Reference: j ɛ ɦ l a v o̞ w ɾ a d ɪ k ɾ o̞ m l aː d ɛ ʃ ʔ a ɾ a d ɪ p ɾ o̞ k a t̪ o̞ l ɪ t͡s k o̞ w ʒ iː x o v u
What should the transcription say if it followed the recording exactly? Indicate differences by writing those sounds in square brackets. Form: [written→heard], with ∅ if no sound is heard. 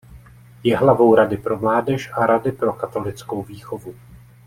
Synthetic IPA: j ɛ ɦ l a v o̞ w ɾ a d ɪ [k→p] ɾ o̞ m l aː d ɛ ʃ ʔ a ɾ a d ɪ p ɾ o̞ k a t̪ o̞ l ɪ t͡s k o̞ w [ʒ→v] iː x o v u